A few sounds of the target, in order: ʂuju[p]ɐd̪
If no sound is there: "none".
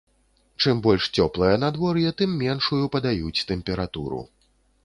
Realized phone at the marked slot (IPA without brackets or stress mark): p